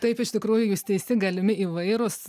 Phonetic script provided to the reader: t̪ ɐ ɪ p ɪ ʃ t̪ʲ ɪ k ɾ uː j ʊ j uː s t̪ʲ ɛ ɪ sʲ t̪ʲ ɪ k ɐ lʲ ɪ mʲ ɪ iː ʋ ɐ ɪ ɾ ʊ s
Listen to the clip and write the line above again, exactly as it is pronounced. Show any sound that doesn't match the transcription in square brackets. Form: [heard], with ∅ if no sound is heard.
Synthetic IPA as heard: t̪ ɐ ɪ p ɪ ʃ t̪ʲ ɪ k ɾ uː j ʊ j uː s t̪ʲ ɛ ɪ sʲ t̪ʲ ɪ [ɡ] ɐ lʲ ɪ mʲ ɪ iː ʋ ɐ ɪ ɾ ʊ s